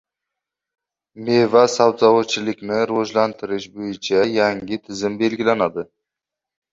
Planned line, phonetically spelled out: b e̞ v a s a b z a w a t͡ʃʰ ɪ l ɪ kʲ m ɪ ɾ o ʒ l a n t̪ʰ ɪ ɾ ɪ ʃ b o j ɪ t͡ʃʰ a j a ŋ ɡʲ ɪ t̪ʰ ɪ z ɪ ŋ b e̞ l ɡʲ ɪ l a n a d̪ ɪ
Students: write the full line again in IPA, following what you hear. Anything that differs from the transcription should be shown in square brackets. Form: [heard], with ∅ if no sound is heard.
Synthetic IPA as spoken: [m] e̞ v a s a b z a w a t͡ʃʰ ɪ l ɪ kʲ [n] ɪ ɾ o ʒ l a n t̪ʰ ɪ ɾ ɪ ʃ b o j ɪ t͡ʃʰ a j a ŋ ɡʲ ɪ t̪ʰ ɪ z ɪ [m] b e̞ l ɡʲ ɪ l a n a d̪ ɪ